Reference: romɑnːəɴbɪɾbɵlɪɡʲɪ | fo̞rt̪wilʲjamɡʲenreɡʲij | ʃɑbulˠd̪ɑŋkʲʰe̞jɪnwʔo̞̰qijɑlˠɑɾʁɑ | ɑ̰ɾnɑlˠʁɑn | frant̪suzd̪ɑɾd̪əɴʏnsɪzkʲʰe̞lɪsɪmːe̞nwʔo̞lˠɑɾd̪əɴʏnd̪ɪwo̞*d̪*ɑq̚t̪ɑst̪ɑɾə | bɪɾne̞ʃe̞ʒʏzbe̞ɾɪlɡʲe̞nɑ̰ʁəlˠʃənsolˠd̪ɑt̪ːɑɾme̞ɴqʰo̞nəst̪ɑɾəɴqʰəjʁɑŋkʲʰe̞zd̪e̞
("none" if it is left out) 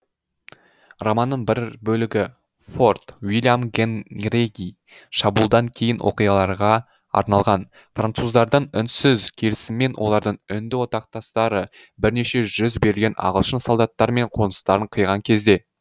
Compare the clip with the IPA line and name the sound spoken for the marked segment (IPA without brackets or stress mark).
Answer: t̪